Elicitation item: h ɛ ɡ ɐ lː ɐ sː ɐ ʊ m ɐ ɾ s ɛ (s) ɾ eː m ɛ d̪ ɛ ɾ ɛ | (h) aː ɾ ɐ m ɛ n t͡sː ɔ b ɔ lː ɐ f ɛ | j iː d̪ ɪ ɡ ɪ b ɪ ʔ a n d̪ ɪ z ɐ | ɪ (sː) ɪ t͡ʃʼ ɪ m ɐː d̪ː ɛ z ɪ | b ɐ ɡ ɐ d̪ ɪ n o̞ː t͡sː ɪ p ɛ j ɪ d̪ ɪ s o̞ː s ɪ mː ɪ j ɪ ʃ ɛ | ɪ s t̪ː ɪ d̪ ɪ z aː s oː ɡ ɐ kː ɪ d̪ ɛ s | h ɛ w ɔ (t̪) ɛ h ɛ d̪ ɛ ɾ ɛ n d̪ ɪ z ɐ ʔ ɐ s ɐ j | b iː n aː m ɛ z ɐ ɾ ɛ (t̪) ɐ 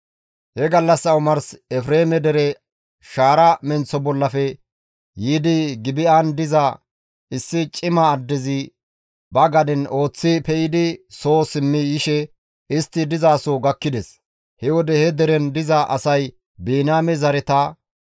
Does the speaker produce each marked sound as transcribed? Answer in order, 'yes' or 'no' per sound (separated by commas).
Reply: no, no, yes, no, yes